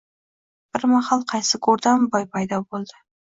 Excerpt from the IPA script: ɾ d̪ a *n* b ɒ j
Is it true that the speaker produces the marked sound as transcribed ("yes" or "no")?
no